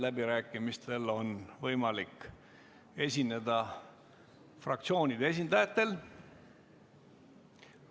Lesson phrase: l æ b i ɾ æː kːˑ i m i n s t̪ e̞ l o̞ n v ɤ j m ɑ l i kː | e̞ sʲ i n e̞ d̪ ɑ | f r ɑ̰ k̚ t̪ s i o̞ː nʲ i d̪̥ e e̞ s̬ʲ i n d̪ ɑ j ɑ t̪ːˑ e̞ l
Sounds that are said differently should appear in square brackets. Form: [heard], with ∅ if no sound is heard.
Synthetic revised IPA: l æ b i ɾ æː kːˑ i m i [∅] s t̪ e̞ l o̞ n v ɤ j m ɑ l i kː | e̞ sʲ i n e̞ d̪ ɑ | f r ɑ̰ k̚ t̪ s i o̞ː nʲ i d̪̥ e e̞ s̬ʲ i n d̪ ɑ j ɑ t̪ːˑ e̞ l